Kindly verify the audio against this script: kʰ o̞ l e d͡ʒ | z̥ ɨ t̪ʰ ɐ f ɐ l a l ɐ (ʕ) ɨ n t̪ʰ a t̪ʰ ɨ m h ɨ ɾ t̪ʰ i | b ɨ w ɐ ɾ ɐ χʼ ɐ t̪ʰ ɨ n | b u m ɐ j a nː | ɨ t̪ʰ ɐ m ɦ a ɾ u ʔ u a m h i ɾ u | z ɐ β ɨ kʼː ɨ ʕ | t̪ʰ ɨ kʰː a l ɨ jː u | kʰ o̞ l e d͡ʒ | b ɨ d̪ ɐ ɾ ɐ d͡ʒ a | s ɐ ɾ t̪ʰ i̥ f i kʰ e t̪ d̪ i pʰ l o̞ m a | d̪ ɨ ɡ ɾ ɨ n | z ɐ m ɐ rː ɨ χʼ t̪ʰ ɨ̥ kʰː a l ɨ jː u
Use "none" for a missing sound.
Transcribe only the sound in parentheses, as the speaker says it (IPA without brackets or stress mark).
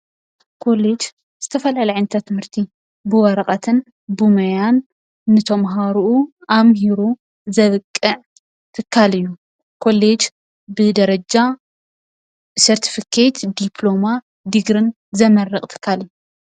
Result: ʕ